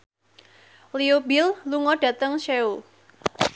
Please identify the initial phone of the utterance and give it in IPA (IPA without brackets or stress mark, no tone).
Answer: l